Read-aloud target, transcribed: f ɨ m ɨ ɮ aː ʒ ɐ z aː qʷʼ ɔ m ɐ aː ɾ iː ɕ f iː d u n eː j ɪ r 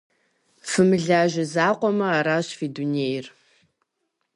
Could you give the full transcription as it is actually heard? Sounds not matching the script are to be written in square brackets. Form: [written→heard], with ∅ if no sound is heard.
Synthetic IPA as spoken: f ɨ m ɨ ɮ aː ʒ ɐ z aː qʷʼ ɔ m ɐ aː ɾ [iː→aː] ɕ f iː d u n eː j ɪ r